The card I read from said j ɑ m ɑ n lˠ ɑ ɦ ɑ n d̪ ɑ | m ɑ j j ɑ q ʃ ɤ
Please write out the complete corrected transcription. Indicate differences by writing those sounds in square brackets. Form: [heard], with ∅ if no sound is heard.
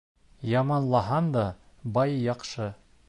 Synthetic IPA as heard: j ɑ m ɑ n lˠ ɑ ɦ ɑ n d̪ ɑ | [b] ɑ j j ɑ q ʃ ɤ